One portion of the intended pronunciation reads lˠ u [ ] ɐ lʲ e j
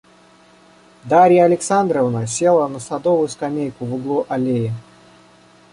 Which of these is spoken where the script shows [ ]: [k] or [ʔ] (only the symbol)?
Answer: ʔ